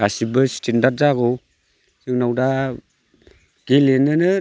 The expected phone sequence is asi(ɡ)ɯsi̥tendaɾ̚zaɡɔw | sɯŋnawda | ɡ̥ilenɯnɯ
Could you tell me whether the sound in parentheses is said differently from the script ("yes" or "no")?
yes